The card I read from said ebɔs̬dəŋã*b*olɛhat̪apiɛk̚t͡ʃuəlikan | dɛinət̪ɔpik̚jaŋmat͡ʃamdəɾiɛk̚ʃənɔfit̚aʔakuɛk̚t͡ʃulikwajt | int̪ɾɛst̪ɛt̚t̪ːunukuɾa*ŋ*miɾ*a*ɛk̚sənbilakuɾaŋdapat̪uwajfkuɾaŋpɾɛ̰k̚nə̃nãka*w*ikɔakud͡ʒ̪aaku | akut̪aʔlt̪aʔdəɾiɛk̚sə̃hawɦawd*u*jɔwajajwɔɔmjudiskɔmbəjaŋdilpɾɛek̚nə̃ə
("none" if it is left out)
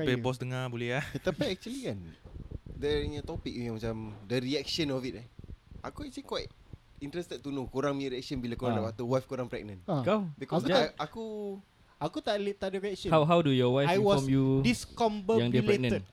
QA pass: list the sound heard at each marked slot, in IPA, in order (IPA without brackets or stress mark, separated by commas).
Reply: b, ŋ, i, b, u